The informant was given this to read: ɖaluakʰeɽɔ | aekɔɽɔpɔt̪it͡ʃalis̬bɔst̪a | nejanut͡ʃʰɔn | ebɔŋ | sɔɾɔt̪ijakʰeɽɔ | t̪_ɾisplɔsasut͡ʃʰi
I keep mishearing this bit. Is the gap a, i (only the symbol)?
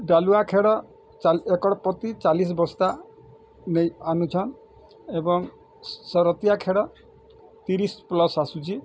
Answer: i